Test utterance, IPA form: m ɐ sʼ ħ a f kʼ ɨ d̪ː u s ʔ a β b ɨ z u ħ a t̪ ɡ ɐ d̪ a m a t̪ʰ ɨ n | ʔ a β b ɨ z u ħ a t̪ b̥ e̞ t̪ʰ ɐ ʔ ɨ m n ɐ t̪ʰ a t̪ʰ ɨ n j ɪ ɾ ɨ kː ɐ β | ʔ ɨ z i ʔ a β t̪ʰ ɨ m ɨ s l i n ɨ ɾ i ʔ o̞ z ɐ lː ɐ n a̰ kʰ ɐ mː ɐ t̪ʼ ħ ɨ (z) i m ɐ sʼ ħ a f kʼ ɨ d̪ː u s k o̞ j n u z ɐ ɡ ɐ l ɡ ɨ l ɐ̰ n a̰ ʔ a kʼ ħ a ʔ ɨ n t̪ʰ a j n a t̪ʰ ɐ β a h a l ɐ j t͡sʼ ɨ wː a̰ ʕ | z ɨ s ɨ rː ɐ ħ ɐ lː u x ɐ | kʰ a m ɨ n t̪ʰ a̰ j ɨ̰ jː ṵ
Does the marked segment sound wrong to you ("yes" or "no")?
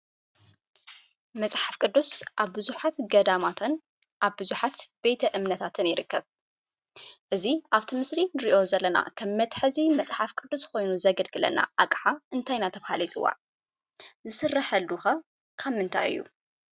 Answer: no